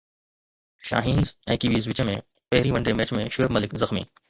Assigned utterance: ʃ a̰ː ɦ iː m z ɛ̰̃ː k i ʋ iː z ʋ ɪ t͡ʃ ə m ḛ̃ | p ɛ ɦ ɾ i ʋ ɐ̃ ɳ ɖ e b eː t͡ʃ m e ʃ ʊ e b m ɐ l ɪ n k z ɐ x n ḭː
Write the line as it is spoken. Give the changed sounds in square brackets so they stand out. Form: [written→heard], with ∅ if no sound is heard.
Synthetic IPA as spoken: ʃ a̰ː ɦ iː [m→n] z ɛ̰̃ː k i ʋ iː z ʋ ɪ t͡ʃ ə m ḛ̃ | p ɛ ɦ ɾ i ʋ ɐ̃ ɳ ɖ e [b→m] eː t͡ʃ m [e→ẽ] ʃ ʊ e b m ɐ l ɪ [n→∅] k z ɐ x [n→m] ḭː